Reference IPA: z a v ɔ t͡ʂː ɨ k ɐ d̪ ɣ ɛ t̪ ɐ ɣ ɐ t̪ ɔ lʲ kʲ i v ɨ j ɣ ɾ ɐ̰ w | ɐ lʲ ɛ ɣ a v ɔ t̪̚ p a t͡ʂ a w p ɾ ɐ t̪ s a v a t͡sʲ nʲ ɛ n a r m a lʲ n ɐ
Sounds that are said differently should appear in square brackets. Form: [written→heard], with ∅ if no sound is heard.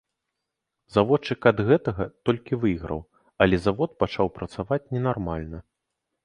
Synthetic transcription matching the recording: z a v ɔ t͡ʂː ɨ k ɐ d̪ ɣ ɛ t̪ ɐ ɣ ɐ t̪ ɔ lʲ kʲ i v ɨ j ɣ ɾ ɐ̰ w | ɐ lʲ ɛ [ɣ→z] a v ɔ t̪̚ p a t͡ʂ a w p ɾ ɐ t̪ s a v a t͡sʲ nʲ ɛ n a r m a lʲ n ɐ